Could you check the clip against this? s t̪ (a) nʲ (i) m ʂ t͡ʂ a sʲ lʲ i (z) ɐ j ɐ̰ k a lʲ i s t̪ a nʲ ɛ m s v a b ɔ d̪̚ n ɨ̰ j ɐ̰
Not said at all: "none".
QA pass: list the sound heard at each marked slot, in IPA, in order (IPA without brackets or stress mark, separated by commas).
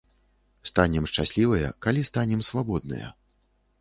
a, ɛ, v